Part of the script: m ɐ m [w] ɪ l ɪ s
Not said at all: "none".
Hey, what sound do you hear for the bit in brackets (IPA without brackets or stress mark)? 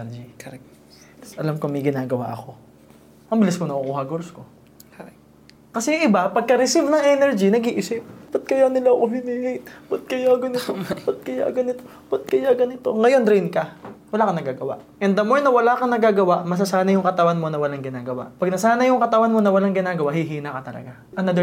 b